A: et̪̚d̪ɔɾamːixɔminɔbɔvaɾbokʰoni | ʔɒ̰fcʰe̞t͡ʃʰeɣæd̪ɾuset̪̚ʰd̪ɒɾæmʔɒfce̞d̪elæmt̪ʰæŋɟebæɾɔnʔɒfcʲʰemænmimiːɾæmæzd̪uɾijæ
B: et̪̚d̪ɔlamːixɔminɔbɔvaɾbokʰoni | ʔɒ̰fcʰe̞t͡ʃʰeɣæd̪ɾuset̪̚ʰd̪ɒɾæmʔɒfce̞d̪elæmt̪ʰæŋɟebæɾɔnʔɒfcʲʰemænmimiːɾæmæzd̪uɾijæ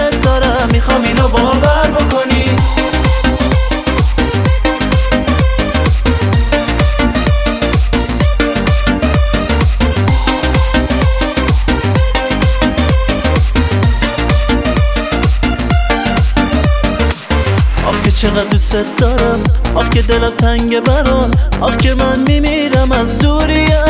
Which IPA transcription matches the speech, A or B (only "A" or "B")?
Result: A